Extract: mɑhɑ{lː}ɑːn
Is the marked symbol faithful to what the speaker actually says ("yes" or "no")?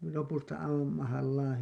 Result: yes